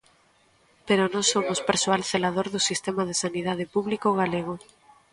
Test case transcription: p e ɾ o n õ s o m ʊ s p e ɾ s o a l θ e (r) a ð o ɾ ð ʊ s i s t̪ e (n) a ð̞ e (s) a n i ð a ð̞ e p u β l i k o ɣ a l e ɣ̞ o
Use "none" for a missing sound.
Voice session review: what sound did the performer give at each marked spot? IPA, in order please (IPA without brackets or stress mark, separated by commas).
l, m, s